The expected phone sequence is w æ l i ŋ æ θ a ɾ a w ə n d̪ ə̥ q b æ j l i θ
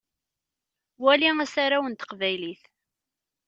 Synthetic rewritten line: w æ l i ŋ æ s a ɾ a w ə n t̪ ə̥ q v æ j l i θ

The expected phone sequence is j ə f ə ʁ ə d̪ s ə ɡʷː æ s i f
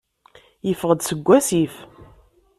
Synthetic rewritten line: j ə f ə ʁ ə d̪ s ə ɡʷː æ s i f

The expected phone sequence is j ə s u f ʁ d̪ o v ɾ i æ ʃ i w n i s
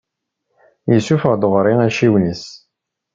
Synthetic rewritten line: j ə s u f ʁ d̪ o ʁ ɾ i æ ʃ i w n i s

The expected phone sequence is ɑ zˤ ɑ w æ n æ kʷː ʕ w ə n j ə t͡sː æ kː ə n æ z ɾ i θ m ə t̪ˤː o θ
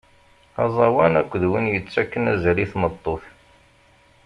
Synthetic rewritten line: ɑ zˤ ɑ w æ n æ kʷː ð w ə n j ə t͡sː æ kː ə n æ z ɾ i θ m ə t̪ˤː o θ

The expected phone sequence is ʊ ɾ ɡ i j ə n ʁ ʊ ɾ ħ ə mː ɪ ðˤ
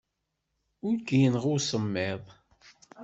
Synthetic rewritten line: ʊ ɾ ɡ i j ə n ʁ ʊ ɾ s ə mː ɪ ðˤ

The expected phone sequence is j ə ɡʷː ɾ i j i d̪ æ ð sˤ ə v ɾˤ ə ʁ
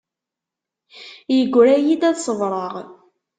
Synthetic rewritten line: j ə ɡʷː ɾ æ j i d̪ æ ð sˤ ə v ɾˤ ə ʁ

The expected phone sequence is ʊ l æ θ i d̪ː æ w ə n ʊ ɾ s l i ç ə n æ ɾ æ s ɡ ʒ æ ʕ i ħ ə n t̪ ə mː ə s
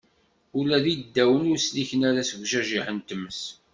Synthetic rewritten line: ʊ l æ ð i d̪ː æ w ə n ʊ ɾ s l i ç ə n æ ɾ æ s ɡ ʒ æ ʒ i ħ ə n t̪ ə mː ə s

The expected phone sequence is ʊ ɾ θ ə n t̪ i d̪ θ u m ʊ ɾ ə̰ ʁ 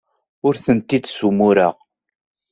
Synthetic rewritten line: ʊ ɾ θ ə n t̪ i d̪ s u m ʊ ɾ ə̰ ʁ

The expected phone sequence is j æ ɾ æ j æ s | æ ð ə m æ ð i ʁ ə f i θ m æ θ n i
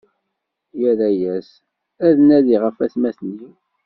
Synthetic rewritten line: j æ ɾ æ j æ s | æ ð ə n æ ð i ʁ ə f æ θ m æ θ n i

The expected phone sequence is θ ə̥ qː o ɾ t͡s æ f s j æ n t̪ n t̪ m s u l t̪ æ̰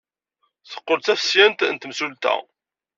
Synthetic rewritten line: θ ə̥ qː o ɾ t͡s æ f s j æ n t̪ n t̪ m s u l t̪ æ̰

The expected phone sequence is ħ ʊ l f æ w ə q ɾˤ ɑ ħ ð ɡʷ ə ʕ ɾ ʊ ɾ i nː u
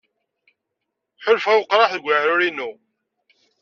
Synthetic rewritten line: ħ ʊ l f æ w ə q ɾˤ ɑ ħ ð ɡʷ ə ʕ ɾ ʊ ɾ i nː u

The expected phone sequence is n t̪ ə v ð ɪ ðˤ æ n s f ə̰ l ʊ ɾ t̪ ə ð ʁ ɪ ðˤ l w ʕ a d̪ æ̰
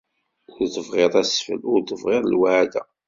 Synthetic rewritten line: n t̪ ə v ʁ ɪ ðˤ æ s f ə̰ l ʊ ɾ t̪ ə v ʁ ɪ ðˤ l w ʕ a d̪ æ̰

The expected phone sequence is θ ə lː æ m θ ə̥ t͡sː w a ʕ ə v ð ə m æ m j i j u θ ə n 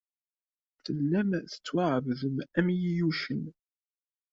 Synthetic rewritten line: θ ə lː æ m θ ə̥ t͡sː w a ʕ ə v ð ə m æ m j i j u ʃ ə n

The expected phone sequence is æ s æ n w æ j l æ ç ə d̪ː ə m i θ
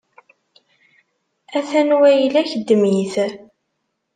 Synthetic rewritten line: æ θ æ n w æ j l æ ç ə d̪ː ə m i θ

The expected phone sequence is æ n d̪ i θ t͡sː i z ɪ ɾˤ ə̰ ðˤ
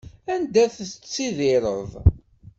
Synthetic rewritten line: æ n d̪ æ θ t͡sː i ð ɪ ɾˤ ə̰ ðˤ

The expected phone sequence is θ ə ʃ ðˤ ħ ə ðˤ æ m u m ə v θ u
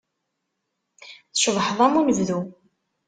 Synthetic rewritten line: θ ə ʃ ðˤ ħ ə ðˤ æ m u n ə v ð u

